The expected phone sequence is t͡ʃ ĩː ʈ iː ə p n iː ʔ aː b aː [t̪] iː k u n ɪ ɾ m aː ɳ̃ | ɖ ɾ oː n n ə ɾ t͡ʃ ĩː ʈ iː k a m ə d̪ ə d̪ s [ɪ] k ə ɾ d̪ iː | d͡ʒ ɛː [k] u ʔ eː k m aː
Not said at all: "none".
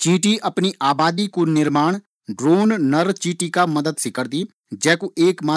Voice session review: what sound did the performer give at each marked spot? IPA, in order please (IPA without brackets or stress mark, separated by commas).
d̪, ɪ, k